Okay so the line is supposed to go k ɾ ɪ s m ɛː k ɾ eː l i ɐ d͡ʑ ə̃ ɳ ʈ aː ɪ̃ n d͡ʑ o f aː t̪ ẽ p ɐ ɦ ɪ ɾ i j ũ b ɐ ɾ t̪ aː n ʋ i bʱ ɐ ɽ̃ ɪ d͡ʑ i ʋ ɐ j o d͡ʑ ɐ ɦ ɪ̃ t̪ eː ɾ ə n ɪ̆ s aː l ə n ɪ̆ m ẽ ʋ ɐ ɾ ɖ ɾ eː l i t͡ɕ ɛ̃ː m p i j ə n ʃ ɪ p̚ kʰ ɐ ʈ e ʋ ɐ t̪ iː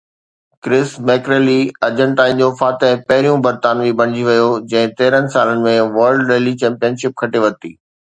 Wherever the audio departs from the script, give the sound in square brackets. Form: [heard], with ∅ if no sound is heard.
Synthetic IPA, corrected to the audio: k ɾ ɪ s m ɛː k ɾ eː l i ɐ d͡ʑ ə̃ ɳ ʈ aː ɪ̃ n d͡ʑ o f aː t̪ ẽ p ɐ ɦ ɪ ɾ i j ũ b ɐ ɾ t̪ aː n ʋ i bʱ ɐ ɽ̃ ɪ d͡ʑ i ʋ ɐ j o d͡ʑ [ɐ̃] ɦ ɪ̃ t̪ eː ɾ ə n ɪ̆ s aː l ə n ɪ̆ m ẽ ʋ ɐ ɾ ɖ ɾ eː l i t͡ɕ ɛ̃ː m p i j ə n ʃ ɪ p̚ kʰ ɐ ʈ e ʋ ɐ t̪ iː